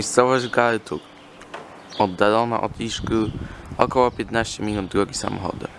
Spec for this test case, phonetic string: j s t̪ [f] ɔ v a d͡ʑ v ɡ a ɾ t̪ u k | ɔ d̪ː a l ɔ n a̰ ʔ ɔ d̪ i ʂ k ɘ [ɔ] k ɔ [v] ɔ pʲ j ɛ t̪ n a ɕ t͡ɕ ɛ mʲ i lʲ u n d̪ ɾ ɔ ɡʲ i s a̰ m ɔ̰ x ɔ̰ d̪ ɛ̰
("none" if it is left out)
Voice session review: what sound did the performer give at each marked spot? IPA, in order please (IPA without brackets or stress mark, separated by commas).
s, ɔ, w